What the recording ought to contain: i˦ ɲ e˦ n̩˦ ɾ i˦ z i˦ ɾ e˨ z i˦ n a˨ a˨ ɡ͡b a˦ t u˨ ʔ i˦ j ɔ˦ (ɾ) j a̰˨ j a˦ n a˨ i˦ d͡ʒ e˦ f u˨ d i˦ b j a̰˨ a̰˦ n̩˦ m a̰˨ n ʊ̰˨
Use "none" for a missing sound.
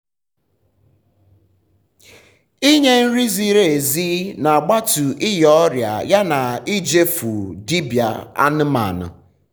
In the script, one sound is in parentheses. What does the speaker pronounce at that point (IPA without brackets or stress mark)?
ɾ